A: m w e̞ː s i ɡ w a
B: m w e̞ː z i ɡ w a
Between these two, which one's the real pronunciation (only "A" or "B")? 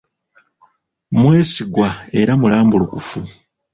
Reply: A